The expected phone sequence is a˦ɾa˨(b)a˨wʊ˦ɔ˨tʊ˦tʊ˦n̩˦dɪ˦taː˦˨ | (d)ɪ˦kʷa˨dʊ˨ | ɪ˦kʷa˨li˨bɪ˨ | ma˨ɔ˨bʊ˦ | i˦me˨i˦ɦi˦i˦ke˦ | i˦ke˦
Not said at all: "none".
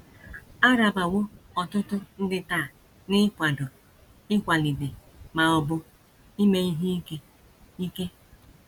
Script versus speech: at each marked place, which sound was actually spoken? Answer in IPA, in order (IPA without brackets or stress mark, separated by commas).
b, n